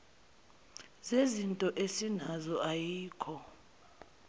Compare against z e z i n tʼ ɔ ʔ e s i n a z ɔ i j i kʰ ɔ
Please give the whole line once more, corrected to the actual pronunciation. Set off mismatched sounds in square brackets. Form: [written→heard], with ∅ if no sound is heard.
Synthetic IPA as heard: z e z i n tʼ ɔ ʔ e s i n a z ɔ [i→a] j [i→iː] kʰ ɔ